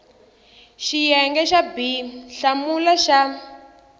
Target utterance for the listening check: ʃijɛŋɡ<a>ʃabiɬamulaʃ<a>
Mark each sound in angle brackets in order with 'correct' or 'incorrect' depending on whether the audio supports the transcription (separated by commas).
incorrect, correct